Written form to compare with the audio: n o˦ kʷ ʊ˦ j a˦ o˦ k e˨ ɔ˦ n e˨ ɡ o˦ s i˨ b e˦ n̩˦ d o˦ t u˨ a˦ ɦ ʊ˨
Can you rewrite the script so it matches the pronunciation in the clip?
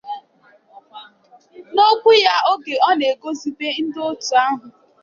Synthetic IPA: n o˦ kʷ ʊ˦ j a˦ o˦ ɡ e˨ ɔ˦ n e˨ ɡ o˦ z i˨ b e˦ n̩˦ d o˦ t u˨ a˦ ɦ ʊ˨